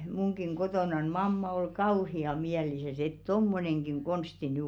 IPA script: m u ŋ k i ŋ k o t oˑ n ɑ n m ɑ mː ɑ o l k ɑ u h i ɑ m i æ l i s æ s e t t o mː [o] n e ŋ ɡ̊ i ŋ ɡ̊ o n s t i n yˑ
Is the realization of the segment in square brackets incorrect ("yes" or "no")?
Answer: no